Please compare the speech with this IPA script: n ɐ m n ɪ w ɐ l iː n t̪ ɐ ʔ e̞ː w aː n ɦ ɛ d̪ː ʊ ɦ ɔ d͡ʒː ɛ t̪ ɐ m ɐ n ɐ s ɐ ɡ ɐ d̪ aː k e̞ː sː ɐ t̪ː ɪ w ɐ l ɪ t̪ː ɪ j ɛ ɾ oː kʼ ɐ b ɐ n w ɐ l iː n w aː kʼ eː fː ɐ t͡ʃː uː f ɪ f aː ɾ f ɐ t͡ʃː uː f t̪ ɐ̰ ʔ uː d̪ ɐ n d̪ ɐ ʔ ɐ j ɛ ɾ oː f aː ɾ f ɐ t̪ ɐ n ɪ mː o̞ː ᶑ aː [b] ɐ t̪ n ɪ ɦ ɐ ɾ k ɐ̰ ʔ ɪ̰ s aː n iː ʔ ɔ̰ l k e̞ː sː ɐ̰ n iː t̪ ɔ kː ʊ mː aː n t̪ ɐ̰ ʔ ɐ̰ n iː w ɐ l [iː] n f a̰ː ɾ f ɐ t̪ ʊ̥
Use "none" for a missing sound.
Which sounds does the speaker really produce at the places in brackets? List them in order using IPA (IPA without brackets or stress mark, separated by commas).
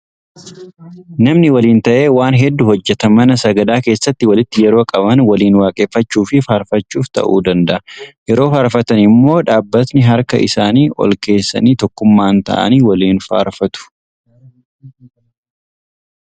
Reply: bː, iː